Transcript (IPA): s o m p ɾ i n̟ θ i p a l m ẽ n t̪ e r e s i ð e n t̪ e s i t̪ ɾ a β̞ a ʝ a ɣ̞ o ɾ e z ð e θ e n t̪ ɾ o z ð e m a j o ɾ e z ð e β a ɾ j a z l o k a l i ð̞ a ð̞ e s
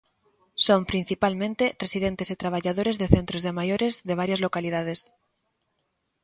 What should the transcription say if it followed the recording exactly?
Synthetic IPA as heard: s o m p ɾ i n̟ θ i p a l m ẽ n t̪ e r e s i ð e n t̪ e s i t̪ ɾ a β̞ a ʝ a ð̞ o ɾ e z ð e θ e n t̪ ɾ o z ð e m a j o ɾ e z ð e β a ɾ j a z l o k a l i ð̞ a ð̞ e s